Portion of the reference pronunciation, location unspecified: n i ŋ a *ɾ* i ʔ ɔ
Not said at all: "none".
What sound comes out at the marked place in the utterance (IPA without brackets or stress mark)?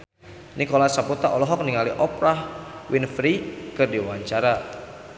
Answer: l